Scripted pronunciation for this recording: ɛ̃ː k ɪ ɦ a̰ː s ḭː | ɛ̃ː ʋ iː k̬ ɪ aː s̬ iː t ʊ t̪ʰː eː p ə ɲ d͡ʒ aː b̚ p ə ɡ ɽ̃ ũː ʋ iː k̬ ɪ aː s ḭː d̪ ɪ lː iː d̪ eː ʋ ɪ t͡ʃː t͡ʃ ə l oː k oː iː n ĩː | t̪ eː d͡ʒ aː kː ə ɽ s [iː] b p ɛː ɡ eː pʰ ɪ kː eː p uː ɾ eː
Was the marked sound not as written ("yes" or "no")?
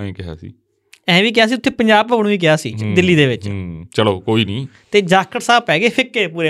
yes